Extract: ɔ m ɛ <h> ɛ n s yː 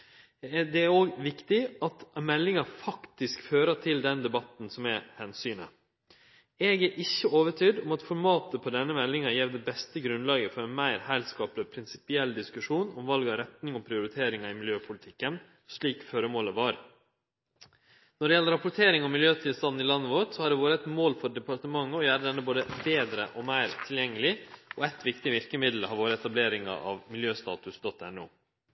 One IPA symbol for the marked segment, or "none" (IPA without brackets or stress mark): h